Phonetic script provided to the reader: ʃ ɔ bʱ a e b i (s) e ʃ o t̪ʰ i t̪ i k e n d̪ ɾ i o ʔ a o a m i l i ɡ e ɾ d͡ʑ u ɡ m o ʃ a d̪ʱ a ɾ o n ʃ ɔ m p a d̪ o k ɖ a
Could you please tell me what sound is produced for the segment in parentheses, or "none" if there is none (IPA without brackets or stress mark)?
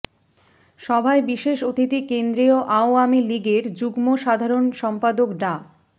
ʃ